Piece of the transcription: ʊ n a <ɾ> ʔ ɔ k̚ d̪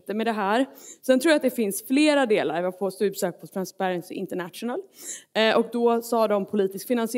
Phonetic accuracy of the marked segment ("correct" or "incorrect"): incorrect